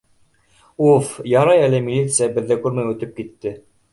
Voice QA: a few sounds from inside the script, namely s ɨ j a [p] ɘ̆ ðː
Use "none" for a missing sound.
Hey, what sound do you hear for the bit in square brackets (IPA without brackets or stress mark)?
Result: b